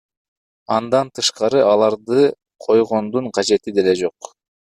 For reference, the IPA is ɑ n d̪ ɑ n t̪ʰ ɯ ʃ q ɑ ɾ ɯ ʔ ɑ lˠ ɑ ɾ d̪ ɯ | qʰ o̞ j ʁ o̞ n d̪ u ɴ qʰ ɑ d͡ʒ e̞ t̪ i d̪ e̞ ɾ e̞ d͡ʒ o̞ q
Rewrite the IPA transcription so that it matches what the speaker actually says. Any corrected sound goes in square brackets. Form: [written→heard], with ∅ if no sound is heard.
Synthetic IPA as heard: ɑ n d̪ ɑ n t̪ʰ ɯ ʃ q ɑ ɾ ɯ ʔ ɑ lˠ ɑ ɾ d̪ ɯ | qʰ o̞ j ʁ o̞ n d̪ u ɴ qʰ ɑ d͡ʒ e̞ t̪ i d̪ e̞ [ɾ→l] e̞ d͡ʒ o̞ q